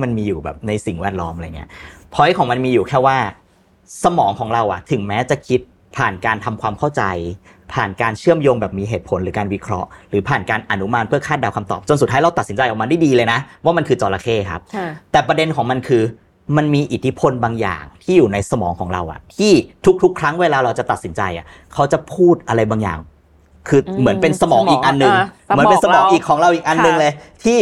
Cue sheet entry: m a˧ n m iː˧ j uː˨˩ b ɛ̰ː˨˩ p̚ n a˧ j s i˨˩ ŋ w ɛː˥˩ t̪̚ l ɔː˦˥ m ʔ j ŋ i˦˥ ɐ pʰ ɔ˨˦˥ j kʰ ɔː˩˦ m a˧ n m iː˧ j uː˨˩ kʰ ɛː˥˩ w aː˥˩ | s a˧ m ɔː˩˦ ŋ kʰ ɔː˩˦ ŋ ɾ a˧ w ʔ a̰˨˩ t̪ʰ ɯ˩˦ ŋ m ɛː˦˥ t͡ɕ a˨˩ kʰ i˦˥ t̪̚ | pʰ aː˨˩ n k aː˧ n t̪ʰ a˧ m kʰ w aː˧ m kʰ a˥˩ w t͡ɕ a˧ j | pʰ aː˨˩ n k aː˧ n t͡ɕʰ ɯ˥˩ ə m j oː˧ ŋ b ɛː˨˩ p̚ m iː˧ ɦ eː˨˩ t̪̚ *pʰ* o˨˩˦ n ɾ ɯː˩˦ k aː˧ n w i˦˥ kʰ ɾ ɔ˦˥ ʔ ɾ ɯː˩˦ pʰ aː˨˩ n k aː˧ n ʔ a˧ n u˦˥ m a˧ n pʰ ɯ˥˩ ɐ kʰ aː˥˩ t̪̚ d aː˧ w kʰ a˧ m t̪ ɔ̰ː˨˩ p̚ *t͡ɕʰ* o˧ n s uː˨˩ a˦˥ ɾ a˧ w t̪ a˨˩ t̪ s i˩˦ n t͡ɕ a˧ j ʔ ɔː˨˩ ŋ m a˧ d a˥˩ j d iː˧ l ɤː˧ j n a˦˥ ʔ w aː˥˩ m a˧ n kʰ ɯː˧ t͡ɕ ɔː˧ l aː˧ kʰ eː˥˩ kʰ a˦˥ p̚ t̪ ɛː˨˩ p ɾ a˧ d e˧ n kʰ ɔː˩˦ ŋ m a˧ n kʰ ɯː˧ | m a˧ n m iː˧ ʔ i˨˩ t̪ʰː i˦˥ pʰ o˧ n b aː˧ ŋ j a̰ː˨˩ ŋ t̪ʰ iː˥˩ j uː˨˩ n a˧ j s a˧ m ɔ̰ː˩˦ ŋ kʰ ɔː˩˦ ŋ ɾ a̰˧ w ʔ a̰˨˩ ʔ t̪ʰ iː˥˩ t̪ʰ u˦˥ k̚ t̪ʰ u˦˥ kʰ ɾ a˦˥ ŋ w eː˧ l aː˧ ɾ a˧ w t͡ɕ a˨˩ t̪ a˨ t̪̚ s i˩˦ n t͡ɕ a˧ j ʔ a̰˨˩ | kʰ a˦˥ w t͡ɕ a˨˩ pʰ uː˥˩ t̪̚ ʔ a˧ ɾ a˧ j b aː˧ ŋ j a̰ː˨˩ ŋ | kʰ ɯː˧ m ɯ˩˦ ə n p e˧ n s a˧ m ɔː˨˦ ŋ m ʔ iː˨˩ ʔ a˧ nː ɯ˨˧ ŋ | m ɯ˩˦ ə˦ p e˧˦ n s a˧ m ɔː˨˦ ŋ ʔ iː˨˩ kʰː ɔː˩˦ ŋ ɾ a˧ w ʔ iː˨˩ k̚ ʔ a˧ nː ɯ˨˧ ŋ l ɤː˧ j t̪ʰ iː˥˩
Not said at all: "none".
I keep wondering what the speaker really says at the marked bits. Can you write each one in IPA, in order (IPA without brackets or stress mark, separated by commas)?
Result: pʰ, t͡ɕ